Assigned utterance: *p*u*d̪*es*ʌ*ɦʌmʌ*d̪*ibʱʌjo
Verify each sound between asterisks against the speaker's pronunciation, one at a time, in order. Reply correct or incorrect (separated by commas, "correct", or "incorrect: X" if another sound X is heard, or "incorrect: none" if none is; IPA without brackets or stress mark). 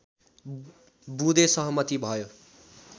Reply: incorrect: b, correct, correct, incorrect: t̪